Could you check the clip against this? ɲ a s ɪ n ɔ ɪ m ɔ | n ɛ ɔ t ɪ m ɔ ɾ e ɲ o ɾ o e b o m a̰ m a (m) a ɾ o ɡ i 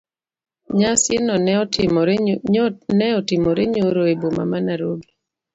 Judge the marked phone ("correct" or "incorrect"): incorrect